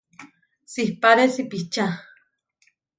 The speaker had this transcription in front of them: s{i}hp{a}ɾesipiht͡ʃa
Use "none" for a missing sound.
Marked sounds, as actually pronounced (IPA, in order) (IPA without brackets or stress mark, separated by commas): i, a